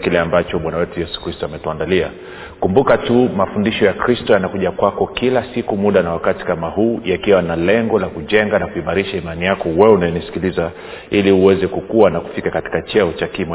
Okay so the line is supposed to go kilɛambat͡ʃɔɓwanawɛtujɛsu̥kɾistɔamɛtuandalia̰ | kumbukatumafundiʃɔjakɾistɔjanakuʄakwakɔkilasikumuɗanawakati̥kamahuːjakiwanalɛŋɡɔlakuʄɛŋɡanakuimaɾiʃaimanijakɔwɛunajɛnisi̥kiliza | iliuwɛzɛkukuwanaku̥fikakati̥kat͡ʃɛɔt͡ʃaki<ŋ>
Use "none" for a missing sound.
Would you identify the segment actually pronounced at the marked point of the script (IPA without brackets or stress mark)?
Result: m